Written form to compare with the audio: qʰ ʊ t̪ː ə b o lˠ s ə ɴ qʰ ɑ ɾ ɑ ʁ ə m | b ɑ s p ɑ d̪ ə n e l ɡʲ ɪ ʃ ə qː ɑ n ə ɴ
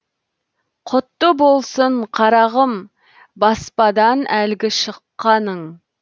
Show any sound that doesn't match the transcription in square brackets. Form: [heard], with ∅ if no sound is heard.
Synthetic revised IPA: qʰ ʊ t̪ː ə b o lˠ s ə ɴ qʰ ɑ ɾ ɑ ʁ ə m | b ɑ s p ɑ d̪ [ɑ] n [æ] l ɡʲ ɪ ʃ ə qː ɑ n ə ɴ